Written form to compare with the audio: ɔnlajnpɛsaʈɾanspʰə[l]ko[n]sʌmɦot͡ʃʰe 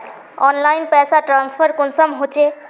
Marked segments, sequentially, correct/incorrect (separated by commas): incorrect, correct